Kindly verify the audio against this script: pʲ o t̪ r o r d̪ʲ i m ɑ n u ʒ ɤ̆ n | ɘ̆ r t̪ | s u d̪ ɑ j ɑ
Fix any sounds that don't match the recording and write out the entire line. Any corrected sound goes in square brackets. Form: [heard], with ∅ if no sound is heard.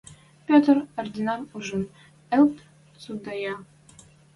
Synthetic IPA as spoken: pʲ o t̪ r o r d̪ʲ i [n] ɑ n u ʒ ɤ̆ n | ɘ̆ [l] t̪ | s u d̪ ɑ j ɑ